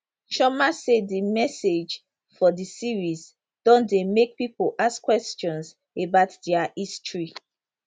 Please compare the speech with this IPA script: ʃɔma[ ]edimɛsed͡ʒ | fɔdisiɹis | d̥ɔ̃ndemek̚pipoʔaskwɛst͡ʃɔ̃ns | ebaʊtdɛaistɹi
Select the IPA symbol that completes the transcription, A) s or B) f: A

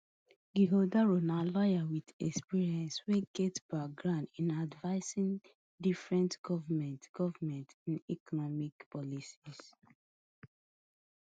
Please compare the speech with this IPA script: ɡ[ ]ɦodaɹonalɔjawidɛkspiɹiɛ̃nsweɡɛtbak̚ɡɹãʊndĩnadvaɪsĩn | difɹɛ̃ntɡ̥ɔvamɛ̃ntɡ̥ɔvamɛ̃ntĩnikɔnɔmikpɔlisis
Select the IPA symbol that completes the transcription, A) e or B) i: B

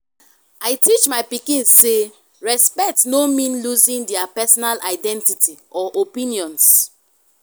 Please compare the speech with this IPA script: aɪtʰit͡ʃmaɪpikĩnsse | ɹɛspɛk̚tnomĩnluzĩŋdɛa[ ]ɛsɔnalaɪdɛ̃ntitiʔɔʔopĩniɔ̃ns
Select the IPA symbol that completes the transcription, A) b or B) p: B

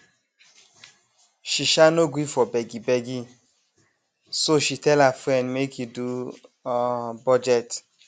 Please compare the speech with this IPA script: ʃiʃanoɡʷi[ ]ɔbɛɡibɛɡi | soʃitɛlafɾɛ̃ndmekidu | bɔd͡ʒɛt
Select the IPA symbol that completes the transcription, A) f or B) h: A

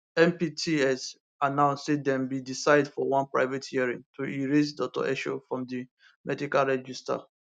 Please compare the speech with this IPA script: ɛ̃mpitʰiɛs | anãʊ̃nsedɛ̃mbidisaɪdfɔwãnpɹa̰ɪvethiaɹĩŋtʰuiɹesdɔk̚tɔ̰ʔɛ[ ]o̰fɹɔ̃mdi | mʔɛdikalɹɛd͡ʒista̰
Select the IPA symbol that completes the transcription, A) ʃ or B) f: A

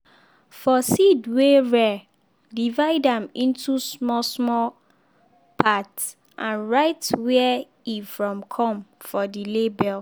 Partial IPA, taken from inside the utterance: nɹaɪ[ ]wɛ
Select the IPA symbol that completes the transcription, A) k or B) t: B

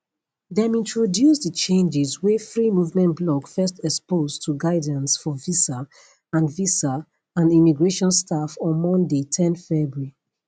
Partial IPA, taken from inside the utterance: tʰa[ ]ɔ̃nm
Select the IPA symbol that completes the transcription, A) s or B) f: B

